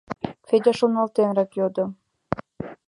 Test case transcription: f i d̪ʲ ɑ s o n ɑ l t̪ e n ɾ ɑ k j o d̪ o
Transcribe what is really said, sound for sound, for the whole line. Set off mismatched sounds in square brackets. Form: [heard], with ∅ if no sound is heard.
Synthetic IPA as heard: f [e] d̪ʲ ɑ [ʃ] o n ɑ l t̪ e n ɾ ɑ k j o d̪ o